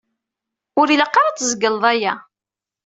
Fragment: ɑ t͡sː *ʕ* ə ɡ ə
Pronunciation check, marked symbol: incorrect: z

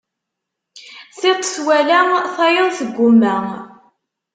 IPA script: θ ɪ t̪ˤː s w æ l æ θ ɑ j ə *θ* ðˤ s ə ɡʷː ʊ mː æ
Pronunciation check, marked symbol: incorrect: none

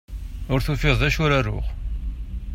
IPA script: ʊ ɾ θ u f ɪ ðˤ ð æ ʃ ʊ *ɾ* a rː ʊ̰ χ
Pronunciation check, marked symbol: correct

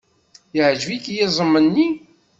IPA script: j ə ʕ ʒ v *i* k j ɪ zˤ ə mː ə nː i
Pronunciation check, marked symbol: correct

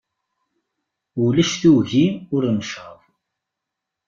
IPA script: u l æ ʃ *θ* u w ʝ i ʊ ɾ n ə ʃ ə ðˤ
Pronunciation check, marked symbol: correct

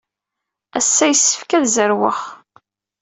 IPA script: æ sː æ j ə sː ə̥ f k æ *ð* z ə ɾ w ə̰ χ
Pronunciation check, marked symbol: correct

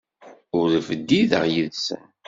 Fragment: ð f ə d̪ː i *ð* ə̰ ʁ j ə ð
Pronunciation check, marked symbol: correct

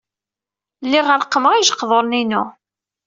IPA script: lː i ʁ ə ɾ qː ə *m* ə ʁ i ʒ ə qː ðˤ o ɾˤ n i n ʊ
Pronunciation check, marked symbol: correct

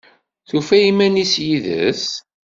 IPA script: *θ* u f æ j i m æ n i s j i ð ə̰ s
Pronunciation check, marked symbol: correct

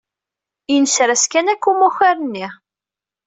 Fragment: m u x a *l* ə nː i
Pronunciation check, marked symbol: incorrect: ɾ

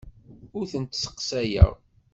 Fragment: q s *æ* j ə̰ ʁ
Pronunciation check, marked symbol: correct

